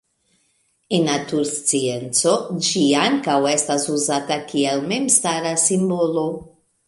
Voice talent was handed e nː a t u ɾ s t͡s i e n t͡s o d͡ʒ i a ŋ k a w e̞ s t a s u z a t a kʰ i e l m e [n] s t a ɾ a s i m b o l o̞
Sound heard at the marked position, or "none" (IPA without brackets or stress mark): m